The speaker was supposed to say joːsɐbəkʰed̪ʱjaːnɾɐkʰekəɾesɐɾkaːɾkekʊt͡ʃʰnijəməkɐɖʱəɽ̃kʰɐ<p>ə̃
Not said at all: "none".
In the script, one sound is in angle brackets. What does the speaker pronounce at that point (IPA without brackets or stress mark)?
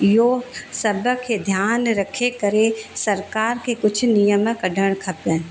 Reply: p